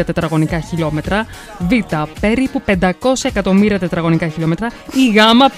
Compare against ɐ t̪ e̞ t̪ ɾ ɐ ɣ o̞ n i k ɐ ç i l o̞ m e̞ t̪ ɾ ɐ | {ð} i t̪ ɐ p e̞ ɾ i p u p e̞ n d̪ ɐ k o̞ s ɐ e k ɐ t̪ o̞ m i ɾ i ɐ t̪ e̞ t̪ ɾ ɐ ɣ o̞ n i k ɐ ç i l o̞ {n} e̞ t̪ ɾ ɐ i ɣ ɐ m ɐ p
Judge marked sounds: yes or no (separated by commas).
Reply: no, no